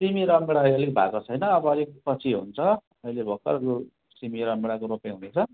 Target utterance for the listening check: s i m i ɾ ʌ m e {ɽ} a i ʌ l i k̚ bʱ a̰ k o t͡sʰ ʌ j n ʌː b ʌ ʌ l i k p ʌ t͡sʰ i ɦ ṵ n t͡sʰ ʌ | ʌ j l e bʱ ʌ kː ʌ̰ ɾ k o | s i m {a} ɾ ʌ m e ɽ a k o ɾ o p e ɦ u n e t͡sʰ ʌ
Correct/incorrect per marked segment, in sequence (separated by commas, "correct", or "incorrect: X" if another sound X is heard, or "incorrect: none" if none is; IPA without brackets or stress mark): correct, incorrect: i